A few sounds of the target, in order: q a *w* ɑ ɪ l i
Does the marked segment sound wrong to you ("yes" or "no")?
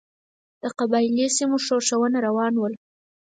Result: yes